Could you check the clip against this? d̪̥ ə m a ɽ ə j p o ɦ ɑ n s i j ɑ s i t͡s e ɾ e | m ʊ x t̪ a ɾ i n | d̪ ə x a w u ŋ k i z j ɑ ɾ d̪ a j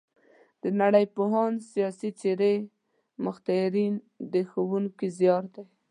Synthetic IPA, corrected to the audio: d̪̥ ə n a ɽ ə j p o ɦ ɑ n s i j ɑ s i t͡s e ɾ e | m ʊ x t̪ a ɾ i n | d̪ ə x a w u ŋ k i z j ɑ ɾ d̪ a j